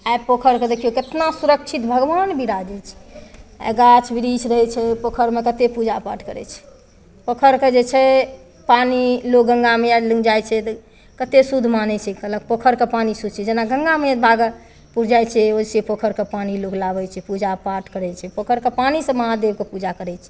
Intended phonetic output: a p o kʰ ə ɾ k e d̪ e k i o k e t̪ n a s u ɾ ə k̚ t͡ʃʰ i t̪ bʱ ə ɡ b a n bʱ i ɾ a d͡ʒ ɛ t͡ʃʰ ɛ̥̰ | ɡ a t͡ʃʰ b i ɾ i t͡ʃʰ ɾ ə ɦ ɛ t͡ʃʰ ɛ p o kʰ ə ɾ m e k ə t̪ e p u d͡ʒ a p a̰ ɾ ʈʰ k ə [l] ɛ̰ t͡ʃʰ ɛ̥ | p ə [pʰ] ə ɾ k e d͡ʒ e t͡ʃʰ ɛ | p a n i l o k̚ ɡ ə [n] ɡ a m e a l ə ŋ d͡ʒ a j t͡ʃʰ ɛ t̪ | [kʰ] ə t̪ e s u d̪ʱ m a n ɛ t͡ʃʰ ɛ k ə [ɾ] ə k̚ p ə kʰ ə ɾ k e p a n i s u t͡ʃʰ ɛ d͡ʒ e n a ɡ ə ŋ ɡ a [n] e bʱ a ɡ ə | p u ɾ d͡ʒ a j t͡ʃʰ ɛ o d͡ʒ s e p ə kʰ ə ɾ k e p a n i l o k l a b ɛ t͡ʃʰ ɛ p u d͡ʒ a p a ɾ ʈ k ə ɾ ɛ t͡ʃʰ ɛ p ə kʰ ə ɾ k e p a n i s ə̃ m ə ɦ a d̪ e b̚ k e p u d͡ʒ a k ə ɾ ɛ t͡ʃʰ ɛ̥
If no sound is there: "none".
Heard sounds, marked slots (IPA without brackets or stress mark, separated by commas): ɾ, kʰ, ŋ, k, l, m